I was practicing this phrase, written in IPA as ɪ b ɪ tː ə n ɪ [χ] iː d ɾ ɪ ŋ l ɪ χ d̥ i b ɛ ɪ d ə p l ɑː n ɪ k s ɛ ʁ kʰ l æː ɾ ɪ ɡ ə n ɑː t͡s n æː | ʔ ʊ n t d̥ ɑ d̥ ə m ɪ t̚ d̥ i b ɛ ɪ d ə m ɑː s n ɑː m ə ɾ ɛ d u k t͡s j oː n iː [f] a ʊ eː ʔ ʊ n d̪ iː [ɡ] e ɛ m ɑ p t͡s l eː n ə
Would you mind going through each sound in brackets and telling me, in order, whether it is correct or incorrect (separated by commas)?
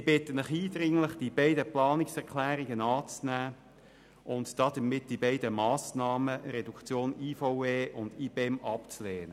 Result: correct, correct, incorrect